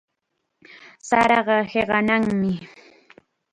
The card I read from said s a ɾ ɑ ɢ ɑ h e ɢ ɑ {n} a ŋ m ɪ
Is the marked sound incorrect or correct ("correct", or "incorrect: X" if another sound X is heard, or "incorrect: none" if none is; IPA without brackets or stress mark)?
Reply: correct